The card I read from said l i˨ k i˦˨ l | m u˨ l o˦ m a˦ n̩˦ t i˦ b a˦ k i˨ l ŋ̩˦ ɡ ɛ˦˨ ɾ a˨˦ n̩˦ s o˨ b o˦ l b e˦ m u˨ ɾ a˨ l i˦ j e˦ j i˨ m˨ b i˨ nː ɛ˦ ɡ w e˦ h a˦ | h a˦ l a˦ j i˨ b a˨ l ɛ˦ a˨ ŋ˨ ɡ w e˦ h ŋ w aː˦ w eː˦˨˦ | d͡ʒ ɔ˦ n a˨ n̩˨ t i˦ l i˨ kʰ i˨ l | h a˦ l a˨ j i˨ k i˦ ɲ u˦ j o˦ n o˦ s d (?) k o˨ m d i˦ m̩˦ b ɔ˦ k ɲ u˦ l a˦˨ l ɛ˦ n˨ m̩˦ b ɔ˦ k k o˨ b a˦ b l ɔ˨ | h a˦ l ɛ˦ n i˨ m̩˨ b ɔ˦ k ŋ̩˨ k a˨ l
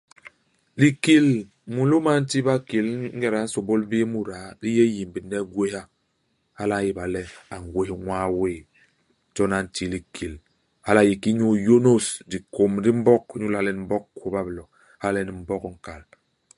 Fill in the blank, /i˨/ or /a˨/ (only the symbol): i˨